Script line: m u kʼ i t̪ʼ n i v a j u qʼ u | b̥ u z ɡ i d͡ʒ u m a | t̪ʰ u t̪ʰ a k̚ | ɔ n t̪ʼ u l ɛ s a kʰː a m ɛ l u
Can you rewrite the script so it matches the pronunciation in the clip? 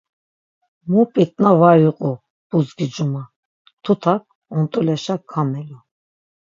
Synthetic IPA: m u pʼ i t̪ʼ n a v a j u qʼ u | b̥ u z ɡ i d͡ʒ u m a | t̪ʰ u t̪ʰ a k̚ | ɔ n t̪ʼ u l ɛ ʃ a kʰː a m ɛ l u